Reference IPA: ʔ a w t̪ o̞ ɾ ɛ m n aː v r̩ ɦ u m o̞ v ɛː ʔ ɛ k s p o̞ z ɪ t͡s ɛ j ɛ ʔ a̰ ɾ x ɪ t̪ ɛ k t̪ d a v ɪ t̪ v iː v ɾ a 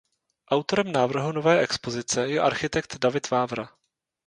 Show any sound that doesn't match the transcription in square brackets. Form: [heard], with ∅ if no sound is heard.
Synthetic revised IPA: ʔ a w t̪ o̞ ɾ ɛ m n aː v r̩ ɦ u [n] o̞ v ɛː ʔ ɛ k s p o̞ z ɪ t͡s ɛ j ɛ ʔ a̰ ɾ x ɪ t̪ ɛ k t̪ d a v ɪ t̪ v [aː] v ɾ a

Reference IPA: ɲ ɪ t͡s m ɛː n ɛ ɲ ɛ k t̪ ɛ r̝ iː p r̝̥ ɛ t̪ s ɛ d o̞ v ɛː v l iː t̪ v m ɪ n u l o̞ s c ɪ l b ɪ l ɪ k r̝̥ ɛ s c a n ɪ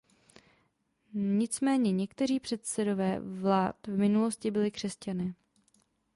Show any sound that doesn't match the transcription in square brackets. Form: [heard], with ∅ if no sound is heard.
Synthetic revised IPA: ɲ ɪ t͡s m ɛː [ɲ] ɛ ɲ ɛ k t̪ ɛ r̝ iː p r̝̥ ɛ t̪ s ɛ d o̞ v ɛː v l [aː] t̪ v m ɪ n u l o̞ s c ɪ [∅] b ɪ l ɪ k r̝̥ ɛ s c a n ɪ

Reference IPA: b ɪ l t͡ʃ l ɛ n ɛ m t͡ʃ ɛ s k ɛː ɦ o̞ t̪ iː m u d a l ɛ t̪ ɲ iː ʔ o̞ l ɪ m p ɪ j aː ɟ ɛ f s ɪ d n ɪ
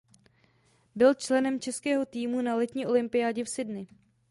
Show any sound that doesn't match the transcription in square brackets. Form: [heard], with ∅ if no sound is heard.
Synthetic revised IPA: b ɪ l t͡ʃ l ɛ n ɛ m t͡ʃ ɛ s k ɛː ɦ o̞ t̪ iː m u [n] a l ɛ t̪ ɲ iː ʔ o̞ l ɪ m p ɪ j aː ɟ ɛ f s ɪ d n ɪ

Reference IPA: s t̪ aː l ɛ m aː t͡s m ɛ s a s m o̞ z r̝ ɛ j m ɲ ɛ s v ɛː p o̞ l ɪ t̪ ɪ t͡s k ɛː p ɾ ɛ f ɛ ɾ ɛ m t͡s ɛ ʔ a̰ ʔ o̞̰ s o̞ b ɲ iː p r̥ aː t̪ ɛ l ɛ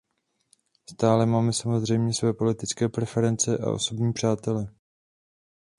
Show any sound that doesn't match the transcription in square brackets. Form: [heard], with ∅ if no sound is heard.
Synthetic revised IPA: s t̪ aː l ɛ m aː [∅] m ɛ s a [∅] m o̞ z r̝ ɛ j m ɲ ɛ s v ɛː p o̞ l ɪ t̪ ɪ t͡s k ɛː p ɾ ɛ f ɛ ɾ ɛ [n] t͡s ɛ ʔ a̰ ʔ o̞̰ s o̞ b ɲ iː p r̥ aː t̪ ɛ l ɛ

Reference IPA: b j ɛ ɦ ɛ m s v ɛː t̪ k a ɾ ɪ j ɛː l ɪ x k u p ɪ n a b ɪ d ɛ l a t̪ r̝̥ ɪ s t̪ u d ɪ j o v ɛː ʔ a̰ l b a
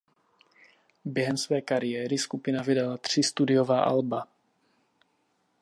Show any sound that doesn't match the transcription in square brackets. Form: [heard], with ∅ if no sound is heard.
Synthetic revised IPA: b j ɛ ɦ ɛ m s v ɛː [∅] k a ɾ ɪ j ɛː [ɾ] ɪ [s] k u p ɪ n a [v] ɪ d [a] l a t̪ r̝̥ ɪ s t̪ u d ɪ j o v [aː] ʔ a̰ l b a

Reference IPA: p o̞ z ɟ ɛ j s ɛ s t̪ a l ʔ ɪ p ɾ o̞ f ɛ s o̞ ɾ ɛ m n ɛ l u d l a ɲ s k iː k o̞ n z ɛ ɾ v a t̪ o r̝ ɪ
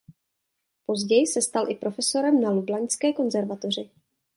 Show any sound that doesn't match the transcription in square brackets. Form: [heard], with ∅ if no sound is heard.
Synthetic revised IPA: p o̞ z ɟ ɛ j s ɛ s t̪ a l ʔ ɪ p ɾ o̞ f ɛ s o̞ ɾ ɛ m n [a] l u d l a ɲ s k [ɛː] k o̞ n z ɛ ɾ v a t̪ o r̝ ɪ

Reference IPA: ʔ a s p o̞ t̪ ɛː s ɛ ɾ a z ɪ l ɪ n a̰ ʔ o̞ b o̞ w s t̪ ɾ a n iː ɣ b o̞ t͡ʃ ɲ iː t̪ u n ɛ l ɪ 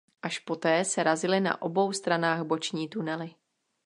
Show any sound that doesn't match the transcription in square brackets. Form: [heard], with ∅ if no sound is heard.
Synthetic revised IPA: ʔ a [ʃ] p o̞ t̪ ɛː s ɛ ɾ a z ɪ l ɪ n a̰ ʔ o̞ b o̞ w s t̪ ɾ a n [aː] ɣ b o̞ t͡ʃ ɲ iː t̪ u n ɛ l ɪ

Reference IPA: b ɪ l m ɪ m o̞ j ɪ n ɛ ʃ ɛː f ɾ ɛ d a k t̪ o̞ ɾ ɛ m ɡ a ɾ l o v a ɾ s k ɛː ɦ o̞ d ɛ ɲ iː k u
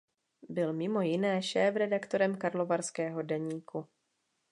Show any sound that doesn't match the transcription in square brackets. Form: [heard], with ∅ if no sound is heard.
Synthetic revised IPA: b ɪ l m ɪ m o̞ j ɪ n [ɛː] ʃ ɛː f ɾ ɛ d a k t̪ o̞ ɾ ɛ m [k] a ɾ l o v a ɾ s k ɛː ɦ o̞ d ɛ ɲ iː k u

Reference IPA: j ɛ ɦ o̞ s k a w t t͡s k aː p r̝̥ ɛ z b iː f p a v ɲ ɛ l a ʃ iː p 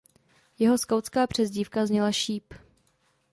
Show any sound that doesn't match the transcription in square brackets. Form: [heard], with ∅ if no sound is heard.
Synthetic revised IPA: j ɛ ɦ o̞ s k a w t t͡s k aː p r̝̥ ɛ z [ɟ] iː f [k] a [z] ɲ ɛ l a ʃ iː p

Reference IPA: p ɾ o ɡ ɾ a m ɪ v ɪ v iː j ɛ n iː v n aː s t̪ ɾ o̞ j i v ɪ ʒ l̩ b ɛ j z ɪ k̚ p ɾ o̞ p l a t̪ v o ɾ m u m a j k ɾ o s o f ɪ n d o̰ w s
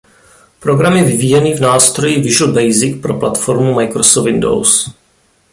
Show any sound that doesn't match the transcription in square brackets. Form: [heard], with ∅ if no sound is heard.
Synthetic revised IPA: p ɾ o ɡ ɾ a m ɪ v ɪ v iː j ɛ n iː v n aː s t̪ ɾ o̞ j i v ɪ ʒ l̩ b ɛ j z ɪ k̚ p ɾ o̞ p l a t̪ [f] o ɾ m u m a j k ɾ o s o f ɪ n d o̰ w s

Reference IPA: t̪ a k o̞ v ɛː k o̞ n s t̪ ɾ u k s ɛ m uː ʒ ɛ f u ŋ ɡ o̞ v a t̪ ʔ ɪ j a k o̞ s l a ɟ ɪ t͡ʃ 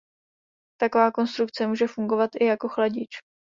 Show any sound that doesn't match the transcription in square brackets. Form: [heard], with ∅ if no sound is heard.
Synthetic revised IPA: t̪ a k o̞ v [aː] k o̞ n s t̪ ɾ u k [t͡s] ɛ m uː ʒ ɛ f u ŋ ɡ o̞ v a t̪ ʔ ɪ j a k o̞ [x] l a ɟ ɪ t͡ʃ

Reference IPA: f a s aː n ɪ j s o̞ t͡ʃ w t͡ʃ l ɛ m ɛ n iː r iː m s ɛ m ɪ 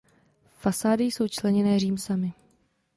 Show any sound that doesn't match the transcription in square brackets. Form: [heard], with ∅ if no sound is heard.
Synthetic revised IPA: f a s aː [d] ɪ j s o̞ [∅] w t͡ʃ l ɛ [ɲ] ɛ n [ɛː] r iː m s [a] m ɪ

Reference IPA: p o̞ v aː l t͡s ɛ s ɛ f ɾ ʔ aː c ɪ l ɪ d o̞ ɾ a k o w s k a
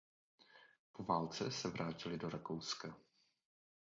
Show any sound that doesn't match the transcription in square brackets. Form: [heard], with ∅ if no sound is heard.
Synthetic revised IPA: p o̞ v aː l t͡s ɛ s ɛ [v] ɾ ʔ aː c ɪ l ɪ d o̞ ɾ a k o w s k a

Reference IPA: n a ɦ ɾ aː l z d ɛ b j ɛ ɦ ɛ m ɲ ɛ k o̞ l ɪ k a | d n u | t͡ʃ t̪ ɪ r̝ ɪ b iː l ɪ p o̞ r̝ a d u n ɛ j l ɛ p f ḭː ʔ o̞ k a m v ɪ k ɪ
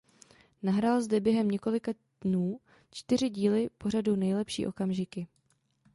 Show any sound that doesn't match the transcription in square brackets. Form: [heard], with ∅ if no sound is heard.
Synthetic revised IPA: n a ɦ ɾ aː l z d ɛ b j ɛ ɦ ɛ m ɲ ɛ k o̞ l ɪ k a | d n [uː] | t͡ʃ t̪ ɪ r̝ ɪ [ɟ] iː l ɪ p o̞ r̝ a d u n ɛ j l ɛ p [ʃ] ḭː ʔ o̞ k a m [ʒ] ɪ k ɪ

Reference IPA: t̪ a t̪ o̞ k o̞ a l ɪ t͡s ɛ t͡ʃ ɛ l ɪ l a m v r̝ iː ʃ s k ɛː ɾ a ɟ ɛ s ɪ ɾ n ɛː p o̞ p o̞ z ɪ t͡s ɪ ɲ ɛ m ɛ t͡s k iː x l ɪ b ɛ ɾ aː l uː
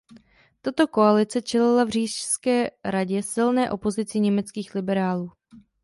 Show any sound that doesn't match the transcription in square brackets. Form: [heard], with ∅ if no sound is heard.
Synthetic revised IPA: t̪ a t̪ o̞ k o̞ a l ɪ t͡s ɛ t͡ʃ ɛ l ɪ l a [∅] v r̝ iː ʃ s k ɛː ɾ a ɟ ɛ s ɪ [l] n ɛː [ʔ] o̞ p o̞ z ɪ t͡s ɪ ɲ ɛ m ɛ t͡s k iː x l ɪ b ɛ ɾ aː l uː

